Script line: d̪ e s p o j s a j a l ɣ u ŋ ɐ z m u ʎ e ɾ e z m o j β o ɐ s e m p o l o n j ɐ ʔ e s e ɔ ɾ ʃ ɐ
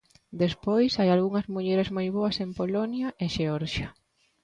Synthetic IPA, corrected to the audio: d̪ e s p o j s a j a l ɣ u ŋ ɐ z m u ʎ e ɾ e z m o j β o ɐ s e m p o l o n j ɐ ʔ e ʃ e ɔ ɾ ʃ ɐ